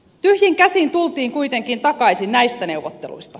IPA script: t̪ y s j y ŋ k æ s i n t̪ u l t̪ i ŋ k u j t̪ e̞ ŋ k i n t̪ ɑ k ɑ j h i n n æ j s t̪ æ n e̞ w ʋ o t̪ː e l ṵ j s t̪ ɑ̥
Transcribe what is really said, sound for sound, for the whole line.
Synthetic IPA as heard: t̪ y h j i ŋ k æ s i n t̪ u l t̪ iː ŋ k u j t̪ e̞ ŋ k i n t̪ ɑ k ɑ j s i n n æ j s t̪ æ n e̞ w ʋ o t̪ː e l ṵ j s t̪ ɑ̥